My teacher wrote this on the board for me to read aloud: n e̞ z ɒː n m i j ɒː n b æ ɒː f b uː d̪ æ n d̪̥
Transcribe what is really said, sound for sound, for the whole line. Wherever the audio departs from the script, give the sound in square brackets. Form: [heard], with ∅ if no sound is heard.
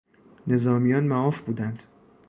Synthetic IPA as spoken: n e̞ z ɒː [∅] m i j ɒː n [m] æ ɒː f b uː d̪ æ n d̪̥